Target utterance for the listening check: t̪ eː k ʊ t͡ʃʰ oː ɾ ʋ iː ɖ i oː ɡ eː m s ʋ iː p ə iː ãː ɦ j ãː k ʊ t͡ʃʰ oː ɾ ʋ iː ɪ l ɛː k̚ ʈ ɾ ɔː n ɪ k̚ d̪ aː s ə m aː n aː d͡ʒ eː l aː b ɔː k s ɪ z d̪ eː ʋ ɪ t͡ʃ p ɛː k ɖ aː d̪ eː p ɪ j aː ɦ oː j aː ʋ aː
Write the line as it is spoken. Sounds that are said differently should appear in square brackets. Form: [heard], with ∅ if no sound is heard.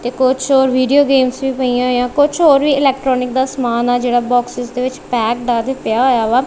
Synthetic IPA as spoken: t̪ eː k ʊ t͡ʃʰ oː ɾ ʋ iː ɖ i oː ɡ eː m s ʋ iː p ə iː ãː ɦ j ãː k ʊ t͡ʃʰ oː ɾ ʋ iː ɪ l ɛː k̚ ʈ ɾ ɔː n ɪ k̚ d̪ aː s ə m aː n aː d͡ʒ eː [ɽ] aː b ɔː k s ɪ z d̪ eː ʋ ɪ t͡ʃ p ɛː k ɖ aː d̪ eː p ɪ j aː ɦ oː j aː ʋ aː

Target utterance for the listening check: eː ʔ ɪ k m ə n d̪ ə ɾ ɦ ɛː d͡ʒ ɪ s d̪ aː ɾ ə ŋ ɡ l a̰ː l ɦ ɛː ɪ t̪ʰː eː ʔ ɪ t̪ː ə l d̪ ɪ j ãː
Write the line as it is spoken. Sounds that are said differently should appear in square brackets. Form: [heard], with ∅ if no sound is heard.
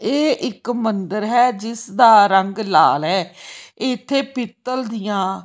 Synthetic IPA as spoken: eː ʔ ɪ k m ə n d̪ ə ɾ ɦ ɛː d͡ʒ ɪ s d̪ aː ɾ ə ŋ ɡ l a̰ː l ɦ ɛː ɪ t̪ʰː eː [p] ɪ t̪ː ə l d̪ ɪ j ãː

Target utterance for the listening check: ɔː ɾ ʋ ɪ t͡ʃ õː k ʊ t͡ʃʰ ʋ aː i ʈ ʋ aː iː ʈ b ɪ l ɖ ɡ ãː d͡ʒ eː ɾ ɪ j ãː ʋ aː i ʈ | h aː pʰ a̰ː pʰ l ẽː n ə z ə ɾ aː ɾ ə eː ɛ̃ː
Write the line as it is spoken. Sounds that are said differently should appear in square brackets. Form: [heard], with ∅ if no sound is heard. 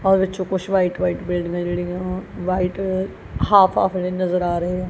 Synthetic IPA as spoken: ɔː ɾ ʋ ɪ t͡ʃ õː k ʊ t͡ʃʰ ʋ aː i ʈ ʋ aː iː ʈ b ɪ l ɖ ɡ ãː d͡ʒ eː [ɽ] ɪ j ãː ʋ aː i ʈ | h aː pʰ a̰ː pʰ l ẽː n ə z ə ɾ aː ɾ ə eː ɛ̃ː

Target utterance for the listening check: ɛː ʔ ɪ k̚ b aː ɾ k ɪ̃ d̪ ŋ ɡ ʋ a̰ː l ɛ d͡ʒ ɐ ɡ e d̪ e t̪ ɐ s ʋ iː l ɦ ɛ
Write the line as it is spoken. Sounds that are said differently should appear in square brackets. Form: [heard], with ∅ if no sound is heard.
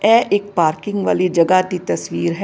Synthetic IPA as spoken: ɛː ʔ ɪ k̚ [p] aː ɾ k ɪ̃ [∅] ŋ ɡ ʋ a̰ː l [i] d͡ʒ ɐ ɡ [a] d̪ [i] t̪ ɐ s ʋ iː [ɾ] ɦ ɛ

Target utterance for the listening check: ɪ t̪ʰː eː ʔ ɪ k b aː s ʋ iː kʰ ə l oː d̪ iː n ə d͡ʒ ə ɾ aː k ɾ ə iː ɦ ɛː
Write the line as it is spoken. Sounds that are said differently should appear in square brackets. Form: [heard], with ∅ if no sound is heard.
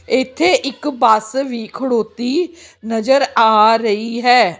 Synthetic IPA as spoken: ɪ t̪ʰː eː ʔ ɪ k b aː s ʋ iː kʰ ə [ɽ] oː [t̪] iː n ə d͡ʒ ə ɾ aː [∅] ɾ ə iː ɦ ɛː

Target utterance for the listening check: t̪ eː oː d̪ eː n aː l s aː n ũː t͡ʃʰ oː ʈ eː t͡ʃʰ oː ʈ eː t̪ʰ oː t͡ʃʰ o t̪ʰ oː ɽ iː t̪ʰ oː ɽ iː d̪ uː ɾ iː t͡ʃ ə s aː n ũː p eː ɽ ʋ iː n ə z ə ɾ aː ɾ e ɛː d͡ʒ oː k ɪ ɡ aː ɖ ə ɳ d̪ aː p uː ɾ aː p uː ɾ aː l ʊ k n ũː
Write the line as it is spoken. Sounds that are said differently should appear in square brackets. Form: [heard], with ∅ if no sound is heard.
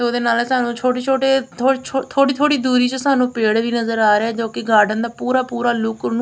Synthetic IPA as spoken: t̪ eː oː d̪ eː n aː l s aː n ũː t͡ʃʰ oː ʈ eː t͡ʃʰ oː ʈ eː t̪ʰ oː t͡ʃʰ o t̪ʰ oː ɽ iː t̪ʰ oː ɽ iː d̪ uː ɾ iː t͡ʃ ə s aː n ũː p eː ɽ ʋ iː n ə z ə ɾ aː ɾ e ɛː d͡ʒ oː k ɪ ɡ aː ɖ ə [n] d̪ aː p uː ɾ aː p uː ɾ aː l ʊ k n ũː

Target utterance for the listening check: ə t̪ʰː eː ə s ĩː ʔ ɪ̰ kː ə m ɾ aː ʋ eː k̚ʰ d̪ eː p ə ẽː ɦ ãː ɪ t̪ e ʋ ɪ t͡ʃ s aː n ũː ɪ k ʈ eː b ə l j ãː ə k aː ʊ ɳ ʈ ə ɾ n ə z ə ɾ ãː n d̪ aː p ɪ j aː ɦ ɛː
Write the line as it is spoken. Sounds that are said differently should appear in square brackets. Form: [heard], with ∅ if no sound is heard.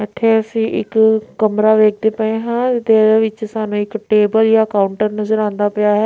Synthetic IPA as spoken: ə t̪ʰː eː ə s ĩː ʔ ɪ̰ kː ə m ɾ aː ʋ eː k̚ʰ d̪ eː p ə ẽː ɦ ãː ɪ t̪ e ʋ ɪ t͡ʃ s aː n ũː ɪ k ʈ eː b ə l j [aː] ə k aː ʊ ɳ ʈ ə ɾ n ə z ə ɾ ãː n d̪ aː p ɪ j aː ɦ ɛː

